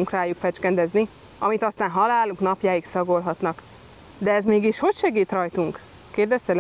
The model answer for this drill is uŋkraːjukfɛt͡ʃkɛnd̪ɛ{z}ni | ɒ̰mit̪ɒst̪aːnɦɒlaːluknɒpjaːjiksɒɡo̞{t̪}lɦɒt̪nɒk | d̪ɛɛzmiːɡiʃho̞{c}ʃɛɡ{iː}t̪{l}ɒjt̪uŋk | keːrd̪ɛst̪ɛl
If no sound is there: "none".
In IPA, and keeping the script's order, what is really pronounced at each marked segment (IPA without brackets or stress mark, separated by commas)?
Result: z, none, c, iː, r